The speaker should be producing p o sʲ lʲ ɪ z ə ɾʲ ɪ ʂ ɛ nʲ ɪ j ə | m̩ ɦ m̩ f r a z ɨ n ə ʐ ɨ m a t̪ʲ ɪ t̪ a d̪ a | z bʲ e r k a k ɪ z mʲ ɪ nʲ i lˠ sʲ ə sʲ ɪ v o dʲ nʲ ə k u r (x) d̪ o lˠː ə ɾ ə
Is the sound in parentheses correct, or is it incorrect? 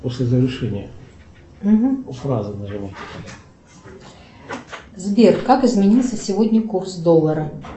incorrect: s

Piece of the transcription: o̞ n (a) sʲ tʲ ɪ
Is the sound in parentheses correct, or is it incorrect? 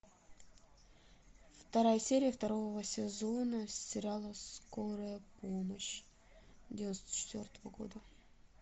incorrect: ə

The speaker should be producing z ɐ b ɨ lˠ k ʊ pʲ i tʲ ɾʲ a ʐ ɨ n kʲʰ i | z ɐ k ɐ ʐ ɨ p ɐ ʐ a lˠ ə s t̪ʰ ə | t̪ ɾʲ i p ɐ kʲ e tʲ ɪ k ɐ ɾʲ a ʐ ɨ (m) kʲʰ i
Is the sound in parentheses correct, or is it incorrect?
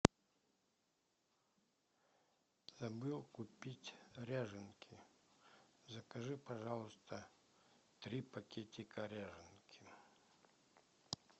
incorrect: n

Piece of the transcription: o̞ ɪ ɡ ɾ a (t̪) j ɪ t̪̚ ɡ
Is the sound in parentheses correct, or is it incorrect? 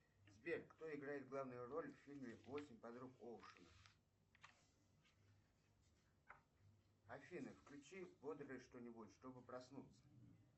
incorrect: none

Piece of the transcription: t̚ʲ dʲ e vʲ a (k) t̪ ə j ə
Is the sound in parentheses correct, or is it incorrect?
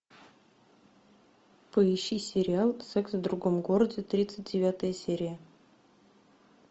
incorrect: none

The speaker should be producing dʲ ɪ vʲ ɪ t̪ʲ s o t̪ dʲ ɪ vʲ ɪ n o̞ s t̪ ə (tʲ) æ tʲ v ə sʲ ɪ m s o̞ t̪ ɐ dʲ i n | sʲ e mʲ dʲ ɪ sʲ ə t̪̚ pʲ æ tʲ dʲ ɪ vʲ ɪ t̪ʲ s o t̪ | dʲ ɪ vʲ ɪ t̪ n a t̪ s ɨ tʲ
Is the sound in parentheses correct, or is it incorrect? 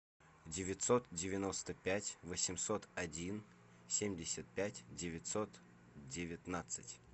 incorrect: pʲ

